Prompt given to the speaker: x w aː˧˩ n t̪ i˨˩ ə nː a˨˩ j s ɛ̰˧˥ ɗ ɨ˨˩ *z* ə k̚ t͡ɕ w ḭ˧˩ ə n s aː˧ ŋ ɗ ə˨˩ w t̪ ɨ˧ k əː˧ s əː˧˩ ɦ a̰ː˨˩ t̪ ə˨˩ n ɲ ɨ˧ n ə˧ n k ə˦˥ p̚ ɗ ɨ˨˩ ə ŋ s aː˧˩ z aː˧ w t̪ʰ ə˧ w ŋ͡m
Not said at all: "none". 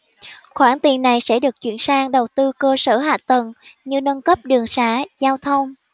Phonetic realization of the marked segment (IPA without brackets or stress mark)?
none